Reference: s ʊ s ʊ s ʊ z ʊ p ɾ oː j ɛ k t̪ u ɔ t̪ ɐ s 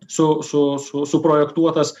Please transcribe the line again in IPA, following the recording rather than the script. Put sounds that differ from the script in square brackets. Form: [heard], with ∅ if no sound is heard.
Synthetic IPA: s ʊ s ʊ s ʊ [s] ʊ p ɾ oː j ɛ k t̪ u ɔ t̪ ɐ s

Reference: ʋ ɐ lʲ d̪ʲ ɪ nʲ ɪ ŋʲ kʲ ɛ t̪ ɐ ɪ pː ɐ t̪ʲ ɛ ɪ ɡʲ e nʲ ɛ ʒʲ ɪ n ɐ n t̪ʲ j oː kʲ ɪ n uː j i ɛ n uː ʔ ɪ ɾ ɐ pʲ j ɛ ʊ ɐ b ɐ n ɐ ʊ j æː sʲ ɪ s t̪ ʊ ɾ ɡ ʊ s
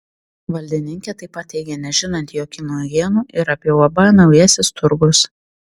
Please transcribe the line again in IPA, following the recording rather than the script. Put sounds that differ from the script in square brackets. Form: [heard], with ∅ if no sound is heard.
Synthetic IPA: ʋ ɐ lʲ d̪ʲ ɪ nʲ ɪ ŋʲ kʲ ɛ t̪ ɐ ɪ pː ɐ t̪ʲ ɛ ɪ ɡʲ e nʲ ɛ ʒʲ ɪ n ɐ n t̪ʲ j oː kʲ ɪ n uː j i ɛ n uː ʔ ɪ ɾ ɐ pʲ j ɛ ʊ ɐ b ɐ n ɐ ʊ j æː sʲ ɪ s t̪ ʊ ɾ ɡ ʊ s

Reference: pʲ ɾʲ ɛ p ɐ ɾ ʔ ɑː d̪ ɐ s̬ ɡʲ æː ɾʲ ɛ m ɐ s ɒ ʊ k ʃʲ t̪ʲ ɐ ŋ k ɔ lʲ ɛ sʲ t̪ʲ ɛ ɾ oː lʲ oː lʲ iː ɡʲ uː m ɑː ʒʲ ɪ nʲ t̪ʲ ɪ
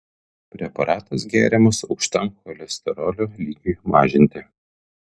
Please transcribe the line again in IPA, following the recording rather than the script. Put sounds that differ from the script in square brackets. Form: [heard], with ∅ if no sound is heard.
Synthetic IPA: pʲ ɾʲ ɛ p ɐ ɾ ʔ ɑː [t̪] ɐ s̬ ɡʲ æː ɾʲ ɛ m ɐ s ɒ ʊ k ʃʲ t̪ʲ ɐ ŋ k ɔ lʲ ɛ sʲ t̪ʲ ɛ ɾ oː lʲ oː lʲ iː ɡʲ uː m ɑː ʒʲ ɪ nʲ t̪ʲ ɪ

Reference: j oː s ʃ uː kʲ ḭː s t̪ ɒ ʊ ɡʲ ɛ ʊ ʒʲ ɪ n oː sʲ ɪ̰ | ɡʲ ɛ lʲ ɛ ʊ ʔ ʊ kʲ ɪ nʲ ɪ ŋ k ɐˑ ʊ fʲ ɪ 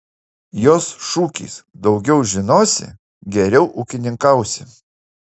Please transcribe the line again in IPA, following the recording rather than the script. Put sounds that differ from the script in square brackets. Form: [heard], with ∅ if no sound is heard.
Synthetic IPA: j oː s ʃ uː kʲ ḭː s [d̪] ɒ ʊ ɡʲ ɛ ʊ ʒʲ ɪ n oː sʲ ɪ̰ | ɡʲ ɛ [ɾʲ] ɛ ʊ ʔ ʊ kʲ ɪ nʲ ɪ ŋ k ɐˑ ʊ [sʲ] ɪ

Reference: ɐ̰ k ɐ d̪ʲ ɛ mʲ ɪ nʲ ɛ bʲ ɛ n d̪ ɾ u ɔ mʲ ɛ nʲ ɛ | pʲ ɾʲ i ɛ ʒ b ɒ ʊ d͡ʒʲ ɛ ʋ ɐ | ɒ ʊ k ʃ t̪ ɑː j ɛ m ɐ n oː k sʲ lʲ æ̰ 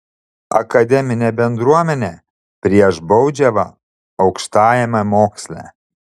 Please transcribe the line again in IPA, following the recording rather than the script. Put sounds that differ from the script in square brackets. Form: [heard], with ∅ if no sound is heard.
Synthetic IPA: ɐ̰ k ɐ d̪ʲ ɛ mʲ ɪ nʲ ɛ bʲ ɛ n d̪ ɾ u ɔ mʲ ɛ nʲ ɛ | pʲ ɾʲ i ɛ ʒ b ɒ ʊ d͡ʒʲ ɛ ʋ ɐ | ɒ ʊ k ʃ t̪ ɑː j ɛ m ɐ [m] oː k sʲ lʲ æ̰

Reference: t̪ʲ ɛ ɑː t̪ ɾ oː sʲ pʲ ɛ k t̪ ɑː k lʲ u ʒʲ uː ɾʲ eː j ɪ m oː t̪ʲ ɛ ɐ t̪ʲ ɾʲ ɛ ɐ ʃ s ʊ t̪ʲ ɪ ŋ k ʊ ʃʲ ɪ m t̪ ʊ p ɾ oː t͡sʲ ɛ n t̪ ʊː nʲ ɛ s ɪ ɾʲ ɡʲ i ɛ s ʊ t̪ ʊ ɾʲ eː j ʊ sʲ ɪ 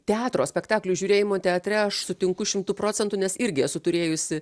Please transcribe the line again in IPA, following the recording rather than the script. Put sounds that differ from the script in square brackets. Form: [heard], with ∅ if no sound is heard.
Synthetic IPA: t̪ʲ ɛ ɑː t̪ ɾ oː sʲ pʲ ɛ k t̪ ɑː k lʲ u ʒʲ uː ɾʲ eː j ɪ m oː t̪ʲ ɛ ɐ t̪ʲ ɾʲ ɛ ɐ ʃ s ʊ t̪ʲ ɪ ŋ k ʊ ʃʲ ɪ m t̪ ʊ p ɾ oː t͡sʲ ɛ n t̪ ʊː nʲ ɛ s ɪ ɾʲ ɡʲ [ɪ] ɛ s ʊ t̪ ʊ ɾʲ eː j ʊ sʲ ɪ

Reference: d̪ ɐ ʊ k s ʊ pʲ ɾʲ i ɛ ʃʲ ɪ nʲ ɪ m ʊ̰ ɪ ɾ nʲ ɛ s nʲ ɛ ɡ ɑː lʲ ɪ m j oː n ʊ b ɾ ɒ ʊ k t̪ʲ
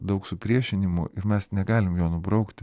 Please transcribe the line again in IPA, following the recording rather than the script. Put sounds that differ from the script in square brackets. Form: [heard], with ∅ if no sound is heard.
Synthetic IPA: d̪ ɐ ʊ k s ʊ pʲ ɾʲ i ɛ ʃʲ ɪ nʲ ɪ m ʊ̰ ɪ ɾ [mʲ] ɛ s nʲ ɛ ɡ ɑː lʲ ɪ m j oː n ʊ b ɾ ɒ ʊ k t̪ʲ

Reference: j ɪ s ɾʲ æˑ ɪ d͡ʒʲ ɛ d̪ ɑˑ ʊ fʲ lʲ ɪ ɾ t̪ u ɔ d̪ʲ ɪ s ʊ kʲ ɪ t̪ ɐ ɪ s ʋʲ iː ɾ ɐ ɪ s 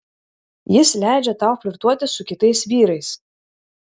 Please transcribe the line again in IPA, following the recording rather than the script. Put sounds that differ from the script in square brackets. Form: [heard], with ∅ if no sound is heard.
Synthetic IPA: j ɪ s [lʲ] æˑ ɪ d͡ʒʲ ɛ [t̪] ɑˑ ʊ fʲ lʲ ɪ ɾ t̪ u ɔ [t̪ʲ] ɪ s ʊ kʲ ɪ t̪ ɐ ɪ s ʋʲ iː ɾ ɐ ɪ s

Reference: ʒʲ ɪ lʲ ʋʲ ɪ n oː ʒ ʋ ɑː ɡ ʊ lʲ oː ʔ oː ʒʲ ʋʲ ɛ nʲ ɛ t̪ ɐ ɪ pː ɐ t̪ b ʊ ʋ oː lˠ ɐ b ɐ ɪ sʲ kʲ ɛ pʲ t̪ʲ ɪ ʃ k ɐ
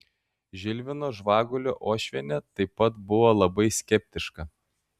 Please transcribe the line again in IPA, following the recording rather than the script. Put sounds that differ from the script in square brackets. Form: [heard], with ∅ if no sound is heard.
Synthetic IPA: ʒʲ ɪ lʲ ʋʲ ɪ n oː ʒ ʋ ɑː ɡ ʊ lʲ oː ʔ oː [ʃʲ] ʋʲ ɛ nʲ ɛ t̪ ɐ ɪ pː ɐ t̪ b ʊ ʋ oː lˠ ɐ b ɐ ɪ sʲ kʲ ɛ pʲ t̪ʲ ɪ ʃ k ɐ

